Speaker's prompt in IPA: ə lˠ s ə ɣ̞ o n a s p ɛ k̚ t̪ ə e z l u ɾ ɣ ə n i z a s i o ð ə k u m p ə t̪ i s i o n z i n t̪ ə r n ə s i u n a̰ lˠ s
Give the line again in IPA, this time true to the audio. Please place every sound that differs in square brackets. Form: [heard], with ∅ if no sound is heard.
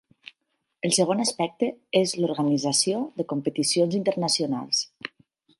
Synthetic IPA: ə lˠ s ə ɣ̞ o n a s p ɛ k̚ t̪ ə e z l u ɾ ɣ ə n i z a s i o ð ə k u m p ə t̪ i s i o n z i n t̪ ə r n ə s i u n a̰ lˠ s